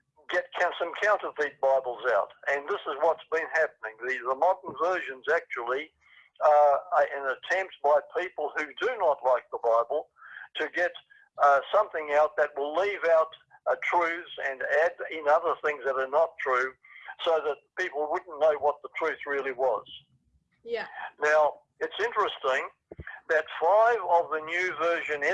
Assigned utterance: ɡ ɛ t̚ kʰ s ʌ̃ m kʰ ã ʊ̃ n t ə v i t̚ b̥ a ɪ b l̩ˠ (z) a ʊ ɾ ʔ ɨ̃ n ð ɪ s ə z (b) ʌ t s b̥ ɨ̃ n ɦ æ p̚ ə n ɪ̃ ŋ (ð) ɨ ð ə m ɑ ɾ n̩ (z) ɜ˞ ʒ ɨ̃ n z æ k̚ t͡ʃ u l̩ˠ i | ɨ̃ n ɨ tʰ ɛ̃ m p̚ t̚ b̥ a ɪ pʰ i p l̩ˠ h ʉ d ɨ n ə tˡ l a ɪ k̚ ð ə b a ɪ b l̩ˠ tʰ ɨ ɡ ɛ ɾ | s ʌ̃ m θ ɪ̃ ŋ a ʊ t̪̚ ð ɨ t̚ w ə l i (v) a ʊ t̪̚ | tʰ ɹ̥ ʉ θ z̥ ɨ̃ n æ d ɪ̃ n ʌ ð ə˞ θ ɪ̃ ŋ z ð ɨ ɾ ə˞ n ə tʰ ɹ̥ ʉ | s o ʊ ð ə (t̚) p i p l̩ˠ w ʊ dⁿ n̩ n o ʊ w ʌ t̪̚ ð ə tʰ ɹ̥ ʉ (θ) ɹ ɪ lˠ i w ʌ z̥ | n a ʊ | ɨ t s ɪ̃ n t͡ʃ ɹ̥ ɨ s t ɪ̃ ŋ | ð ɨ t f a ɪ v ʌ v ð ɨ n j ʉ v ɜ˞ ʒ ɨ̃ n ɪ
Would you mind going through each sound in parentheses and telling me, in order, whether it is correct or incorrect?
correct, incorrect: w, correct, incorrect: v, correct, correct, correct

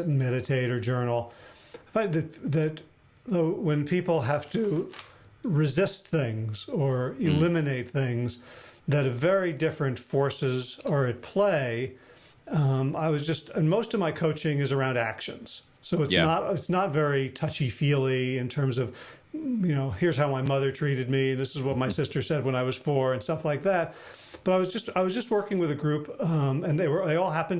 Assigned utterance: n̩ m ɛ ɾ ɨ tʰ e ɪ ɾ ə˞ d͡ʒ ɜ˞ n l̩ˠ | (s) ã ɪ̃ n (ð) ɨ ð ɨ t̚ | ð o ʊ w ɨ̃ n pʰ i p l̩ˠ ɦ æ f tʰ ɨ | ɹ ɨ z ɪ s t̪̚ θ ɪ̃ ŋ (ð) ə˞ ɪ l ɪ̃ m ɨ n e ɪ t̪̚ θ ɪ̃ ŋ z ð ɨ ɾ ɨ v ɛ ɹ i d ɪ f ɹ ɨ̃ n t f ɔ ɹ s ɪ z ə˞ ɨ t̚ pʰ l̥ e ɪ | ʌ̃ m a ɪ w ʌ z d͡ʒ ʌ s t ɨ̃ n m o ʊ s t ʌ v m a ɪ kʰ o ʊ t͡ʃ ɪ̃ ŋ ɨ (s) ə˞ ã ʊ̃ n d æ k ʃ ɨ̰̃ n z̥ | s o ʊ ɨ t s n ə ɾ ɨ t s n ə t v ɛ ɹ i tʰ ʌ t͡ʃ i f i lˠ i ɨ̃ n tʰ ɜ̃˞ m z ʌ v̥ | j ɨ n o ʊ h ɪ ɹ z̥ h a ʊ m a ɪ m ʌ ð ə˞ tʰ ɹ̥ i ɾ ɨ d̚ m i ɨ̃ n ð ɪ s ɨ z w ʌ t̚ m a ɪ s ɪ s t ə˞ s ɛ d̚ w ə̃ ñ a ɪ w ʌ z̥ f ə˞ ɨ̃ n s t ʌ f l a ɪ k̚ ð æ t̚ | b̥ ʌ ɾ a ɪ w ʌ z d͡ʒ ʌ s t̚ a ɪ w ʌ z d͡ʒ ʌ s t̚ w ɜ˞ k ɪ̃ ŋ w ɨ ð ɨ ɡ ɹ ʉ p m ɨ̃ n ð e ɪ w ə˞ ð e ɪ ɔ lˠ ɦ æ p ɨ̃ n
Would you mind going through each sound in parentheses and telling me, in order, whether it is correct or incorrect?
incorrect: f, correct, incorrect: z, incorrect: z

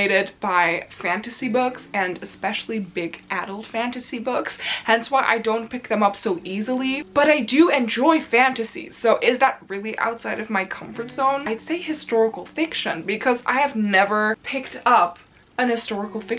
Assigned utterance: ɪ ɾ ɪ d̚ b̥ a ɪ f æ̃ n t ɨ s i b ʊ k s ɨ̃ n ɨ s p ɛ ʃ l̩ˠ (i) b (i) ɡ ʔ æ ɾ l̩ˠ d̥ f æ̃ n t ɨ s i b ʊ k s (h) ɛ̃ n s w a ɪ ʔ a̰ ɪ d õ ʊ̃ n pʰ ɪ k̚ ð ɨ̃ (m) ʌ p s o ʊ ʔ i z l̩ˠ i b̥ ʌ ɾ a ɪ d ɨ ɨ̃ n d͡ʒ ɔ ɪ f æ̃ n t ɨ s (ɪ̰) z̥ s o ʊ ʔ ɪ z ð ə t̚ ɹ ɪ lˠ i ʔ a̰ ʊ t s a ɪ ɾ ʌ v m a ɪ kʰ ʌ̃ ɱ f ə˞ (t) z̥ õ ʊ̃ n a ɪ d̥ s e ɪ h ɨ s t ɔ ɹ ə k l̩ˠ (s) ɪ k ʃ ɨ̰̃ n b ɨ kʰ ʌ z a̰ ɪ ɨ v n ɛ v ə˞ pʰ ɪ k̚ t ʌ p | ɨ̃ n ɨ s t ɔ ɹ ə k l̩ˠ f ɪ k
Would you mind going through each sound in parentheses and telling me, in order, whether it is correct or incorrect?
correct, incorrect: ɪ, correct, correct, incorrect: ḭ, correct, incorrect: f

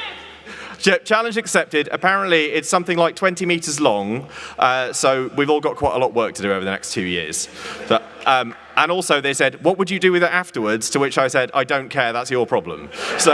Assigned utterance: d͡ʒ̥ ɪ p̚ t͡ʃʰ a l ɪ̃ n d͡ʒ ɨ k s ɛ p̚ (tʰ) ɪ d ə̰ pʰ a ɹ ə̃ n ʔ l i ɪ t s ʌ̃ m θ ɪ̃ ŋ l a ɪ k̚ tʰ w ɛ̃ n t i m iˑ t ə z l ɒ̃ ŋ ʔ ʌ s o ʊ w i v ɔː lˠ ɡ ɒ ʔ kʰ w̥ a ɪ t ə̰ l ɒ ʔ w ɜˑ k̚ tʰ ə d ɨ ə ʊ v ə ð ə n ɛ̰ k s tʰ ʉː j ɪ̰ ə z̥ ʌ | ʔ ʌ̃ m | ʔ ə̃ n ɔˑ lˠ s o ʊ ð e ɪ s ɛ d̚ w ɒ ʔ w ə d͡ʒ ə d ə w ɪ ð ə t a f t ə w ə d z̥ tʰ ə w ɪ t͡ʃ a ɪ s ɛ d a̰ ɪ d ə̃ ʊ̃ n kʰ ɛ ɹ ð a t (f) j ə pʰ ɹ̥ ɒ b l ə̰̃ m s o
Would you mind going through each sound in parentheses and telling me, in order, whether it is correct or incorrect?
incorrect: t, incorrect: s

